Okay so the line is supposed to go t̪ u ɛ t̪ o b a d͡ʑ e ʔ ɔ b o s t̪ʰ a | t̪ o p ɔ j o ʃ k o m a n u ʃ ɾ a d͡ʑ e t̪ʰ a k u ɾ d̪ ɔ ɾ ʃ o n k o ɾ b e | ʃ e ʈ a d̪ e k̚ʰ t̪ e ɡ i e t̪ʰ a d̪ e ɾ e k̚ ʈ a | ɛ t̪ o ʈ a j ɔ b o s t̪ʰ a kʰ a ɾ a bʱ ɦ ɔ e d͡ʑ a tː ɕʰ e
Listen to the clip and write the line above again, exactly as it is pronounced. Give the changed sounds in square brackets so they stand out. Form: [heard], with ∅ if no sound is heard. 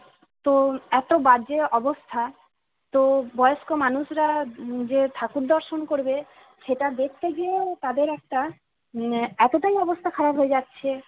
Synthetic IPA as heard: t̪ [o] ɛ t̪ o b a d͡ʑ e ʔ ɔ b o s t̪ʰ a | t̪ o [b] ɔ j o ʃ k o m a n u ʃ ɾ a d͡ʑ e t̪ʰ a k u ɾ d̪ ɔ ɾ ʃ o n k o ɾ b e | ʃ e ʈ a d̪ e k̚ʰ t̪ e ɡ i e [t̪] a d̪ e ɾ [ɛ] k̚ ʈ a | ɛ t̪ o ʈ a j ɔ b o s t̪ʰ a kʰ a ɾ a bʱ ɦ [o] e d͡ʑ a tː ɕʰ e

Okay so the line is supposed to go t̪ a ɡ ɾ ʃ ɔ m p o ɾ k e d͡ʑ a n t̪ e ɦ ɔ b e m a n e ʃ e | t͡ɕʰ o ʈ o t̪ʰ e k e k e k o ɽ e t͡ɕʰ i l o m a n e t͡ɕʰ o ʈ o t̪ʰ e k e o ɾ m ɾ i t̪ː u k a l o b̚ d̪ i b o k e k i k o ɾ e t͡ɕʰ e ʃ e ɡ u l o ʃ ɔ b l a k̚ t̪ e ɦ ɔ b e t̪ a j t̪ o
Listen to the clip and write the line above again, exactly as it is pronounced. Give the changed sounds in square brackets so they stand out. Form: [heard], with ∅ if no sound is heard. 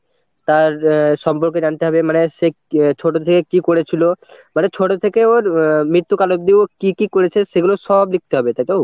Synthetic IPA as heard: t̪ a [∅] ɾ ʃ ɔ m p o ɾ k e d͡ʑ a n t̪ e ɦ ɔ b e m a n e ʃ e | t͡ɕʰ o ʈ o t̪ʰ e k e k [i] k o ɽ e t͡ɕʰ i l o m a n e t͡ɕʰ o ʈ o t̪ʰ e k e o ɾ m ɾ i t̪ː u k a l o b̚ d̪ i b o k [i] k i k o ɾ e t͡ɕʰ e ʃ e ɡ u l o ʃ ɔ b l [i] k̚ t̪ e ɦ ɔ b e t̪ a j t̪ o

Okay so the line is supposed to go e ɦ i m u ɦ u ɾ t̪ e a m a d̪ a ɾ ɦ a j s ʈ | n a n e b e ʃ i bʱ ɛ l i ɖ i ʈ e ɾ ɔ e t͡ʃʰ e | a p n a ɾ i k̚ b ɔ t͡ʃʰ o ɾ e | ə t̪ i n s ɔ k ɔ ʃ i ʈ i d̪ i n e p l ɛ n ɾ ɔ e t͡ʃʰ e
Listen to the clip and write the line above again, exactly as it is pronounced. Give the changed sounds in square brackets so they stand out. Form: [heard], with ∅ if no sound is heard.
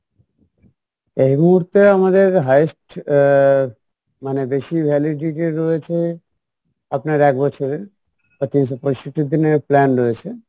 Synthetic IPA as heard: e ɦ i m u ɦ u ɾ t̪ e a m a d̪ [e] ɾ ɦ a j s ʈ | [m] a n e b e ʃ i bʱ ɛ l i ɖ i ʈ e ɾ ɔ e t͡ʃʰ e | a p n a ɾ [ɛ] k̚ b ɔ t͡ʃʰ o ɾ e | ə t̪ i n s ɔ [p] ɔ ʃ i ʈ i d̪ i n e p l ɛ n ɾ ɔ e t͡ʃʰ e

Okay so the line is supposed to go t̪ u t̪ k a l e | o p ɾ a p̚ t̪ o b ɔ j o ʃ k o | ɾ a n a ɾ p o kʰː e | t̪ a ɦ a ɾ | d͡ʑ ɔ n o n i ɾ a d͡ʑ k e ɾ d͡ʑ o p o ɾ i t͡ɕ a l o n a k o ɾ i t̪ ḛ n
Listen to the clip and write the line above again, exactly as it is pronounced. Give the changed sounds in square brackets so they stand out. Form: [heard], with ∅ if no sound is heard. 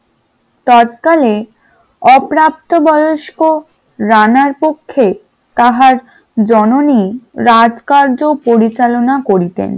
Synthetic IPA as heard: t̪ [ɔ] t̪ k a l e | [ɔ] p ɾ a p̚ t̪ o b ɔ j o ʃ k o | ɾ a n a ɾ p o kʰː e | t̪ a ɦ a ɾ | d͡ʑ ɔ n o n i ɾ a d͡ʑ k [a] ɾ d͡ʑ o p o ɾ i t͡ɕ a l o n a k o ɾ i t̪ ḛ n

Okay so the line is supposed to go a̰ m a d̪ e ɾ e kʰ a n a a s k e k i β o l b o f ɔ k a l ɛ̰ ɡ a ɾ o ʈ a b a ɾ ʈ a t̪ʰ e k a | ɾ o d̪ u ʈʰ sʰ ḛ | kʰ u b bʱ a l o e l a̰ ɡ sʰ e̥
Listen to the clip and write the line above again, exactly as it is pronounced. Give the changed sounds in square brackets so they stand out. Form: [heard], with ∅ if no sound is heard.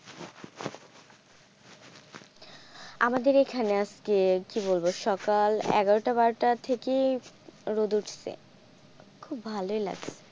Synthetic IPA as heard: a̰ m a d̪ e ɾ e kʰ a n [e] a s k e k i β o l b o [ʃ] ɔ k a l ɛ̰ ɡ a ɾ o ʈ a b a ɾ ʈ a t̪ʰ e k [e] | ɾ o d̪ u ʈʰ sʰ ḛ | kʰ u b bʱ a l o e l a̰ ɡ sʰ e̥

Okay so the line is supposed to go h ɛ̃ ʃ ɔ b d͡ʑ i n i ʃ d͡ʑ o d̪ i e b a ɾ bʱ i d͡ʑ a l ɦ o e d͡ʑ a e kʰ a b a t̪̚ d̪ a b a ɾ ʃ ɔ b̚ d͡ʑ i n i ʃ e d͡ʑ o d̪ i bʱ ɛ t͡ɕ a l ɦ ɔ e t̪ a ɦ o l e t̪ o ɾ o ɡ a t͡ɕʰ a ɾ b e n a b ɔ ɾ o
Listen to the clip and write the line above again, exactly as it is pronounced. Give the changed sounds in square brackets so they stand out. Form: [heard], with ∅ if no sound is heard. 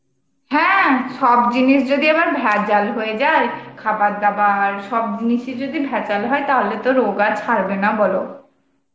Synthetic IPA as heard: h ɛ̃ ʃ ɔ b d͡ʑ i n i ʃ d͡ʑ o d̪ i e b a ɾ bʱ [ɛ] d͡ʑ a l ɦ o e d͡ʑ a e kʰ a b a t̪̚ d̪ a b a ɾ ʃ ɔ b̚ d͡ʑ i n i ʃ e d͡ʑ o d̪ i bʱ ɛ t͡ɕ a l ɦ ɔ e t̪ a ɦ o l e t̪ o ɾ o ɡ a t͡ɕʰ a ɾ b e n a b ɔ [l] o

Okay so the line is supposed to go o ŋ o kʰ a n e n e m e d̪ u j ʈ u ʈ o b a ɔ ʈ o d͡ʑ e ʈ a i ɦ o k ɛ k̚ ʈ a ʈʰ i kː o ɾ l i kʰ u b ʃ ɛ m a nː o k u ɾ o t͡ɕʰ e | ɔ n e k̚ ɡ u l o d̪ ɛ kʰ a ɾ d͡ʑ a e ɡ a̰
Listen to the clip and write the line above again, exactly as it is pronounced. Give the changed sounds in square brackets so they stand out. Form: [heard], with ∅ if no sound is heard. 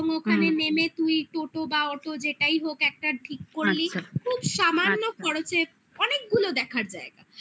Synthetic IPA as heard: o ŋ o kʰ a n e n e m e [t̪] u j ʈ [o] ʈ o b a ɔ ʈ o d͡ʑ e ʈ a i ɦ o k ɛ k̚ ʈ a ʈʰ i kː o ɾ l i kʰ u b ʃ [a] m a nː o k [ɔ] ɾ o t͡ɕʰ e | ɔ n e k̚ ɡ u l o d̪ ɛ kʰ a ɾ d͡ʑ a e ɡ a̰

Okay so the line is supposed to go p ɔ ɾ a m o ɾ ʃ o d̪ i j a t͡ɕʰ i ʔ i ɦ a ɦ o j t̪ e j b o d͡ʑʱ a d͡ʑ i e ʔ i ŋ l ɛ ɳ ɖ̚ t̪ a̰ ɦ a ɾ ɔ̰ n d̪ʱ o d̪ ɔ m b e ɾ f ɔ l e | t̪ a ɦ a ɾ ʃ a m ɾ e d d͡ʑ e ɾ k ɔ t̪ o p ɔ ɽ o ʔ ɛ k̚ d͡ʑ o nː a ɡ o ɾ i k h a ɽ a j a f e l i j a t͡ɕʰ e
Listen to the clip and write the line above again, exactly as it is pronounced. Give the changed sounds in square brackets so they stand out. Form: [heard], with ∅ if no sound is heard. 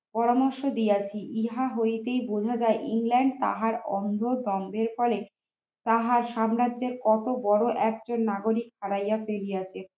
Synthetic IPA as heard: p ɔ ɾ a m o ɾ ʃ o d̪ i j a t͡ɕʰ i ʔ i ɦ a ɦ o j t̪ e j b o d͡ʑʱ a d͡ʑ [a] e ʔ i ŋ l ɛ ɳ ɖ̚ t̪ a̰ ɦ a ɾ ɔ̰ n d̪ʱ o d̪ ɔ m b e ɾ f ɔ l e | t̪ a ɦ a ɾ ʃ a m ɾ [a] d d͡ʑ e ɾ k ɔ t̪ o [b] ɔ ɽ o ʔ ɛ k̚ d͡ʑ o nː a ɡ o ɾ i k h a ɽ a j a f e l i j a t͡ɕʰ e

